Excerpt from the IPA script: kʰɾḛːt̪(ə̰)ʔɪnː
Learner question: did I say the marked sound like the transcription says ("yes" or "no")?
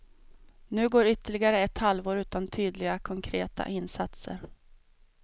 no